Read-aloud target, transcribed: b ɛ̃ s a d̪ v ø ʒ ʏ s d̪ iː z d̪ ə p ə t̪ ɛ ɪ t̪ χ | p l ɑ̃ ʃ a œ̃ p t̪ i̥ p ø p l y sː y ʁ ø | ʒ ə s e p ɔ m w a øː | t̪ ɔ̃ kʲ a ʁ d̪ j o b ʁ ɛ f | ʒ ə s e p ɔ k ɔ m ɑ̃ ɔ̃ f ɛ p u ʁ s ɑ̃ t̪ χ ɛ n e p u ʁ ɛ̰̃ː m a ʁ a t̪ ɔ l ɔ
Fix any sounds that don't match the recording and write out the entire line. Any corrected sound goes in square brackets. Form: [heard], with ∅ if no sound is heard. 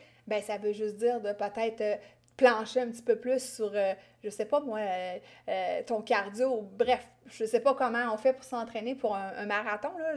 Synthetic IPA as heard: b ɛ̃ s a [∅] v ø ʒ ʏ s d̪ iː [ʁ] d̪ ə p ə t̪ ɛ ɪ t̪ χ | p l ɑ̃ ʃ [e] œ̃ p t̪ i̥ p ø p l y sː y ʁ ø | ʒ ə s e p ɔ m w a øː | t̪ ɔ̃ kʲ a ʁ d̪ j o b ʁ ɛ f | ʒ ə s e p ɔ k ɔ m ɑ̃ ɔ̃ f ɛ p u ʁ s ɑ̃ t̪ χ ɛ n e p u ʁ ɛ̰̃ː m a ʁ a t̪ [ɔ̃] l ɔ